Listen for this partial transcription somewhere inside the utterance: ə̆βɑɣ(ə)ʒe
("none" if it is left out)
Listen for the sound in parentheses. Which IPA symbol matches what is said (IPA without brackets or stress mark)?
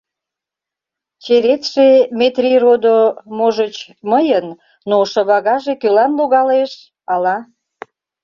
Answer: ɑ